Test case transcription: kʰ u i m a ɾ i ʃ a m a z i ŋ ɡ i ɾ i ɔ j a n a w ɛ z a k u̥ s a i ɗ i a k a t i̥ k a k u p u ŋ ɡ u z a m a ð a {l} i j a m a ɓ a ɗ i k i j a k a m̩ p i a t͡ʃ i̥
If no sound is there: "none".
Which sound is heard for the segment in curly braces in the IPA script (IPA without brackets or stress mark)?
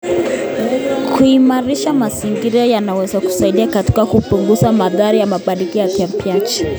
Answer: ɾ